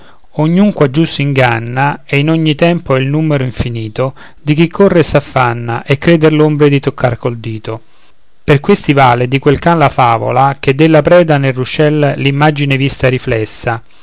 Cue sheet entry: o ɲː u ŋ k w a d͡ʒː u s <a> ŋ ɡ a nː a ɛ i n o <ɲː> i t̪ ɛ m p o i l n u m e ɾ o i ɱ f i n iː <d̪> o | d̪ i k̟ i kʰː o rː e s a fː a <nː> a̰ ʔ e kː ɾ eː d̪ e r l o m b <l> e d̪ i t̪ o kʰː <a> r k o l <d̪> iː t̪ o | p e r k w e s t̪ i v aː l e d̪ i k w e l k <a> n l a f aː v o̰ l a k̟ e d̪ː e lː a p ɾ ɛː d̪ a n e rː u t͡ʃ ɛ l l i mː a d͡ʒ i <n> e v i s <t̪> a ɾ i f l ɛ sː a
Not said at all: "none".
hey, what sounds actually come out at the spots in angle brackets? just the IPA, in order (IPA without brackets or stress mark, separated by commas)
i, ɲː, t̪, nː, ɾ, a, d̪, a, n, t̪